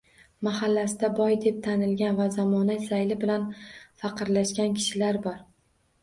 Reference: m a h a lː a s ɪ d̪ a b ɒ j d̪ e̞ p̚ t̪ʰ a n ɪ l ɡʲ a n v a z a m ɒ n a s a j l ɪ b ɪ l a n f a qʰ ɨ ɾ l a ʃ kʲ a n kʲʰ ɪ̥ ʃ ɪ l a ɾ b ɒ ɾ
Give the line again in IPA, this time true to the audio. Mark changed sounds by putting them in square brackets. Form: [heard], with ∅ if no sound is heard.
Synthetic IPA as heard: m a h a lː a s ɪ d̪ a b ɒ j d̪ e̞ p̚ t̪ʰ a n ɪ l ɡʲ a n v a z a m ɒ n a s a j l ɪ b ɪ l a n f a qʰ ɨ ɾ l a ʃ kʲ a n kʲʰ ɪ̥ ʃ ɪ l a ɾ b ɒ ɾ